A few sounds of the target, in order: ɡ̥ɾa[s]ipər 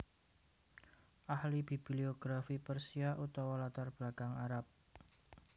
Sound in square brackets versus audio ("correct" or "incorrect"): incorrect